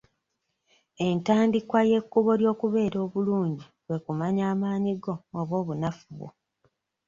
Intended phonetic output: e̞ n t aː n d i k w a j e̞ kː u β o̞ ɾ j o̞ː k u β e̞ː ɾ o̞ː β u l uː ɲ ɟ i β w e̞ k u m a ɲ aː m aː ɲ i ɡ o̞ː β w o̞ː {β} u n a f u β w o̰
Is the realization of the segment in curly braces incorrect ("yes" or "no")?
no